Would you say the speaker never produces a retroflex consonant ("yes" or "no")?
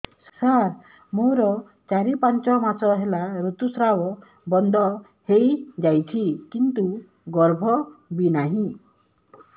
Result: yes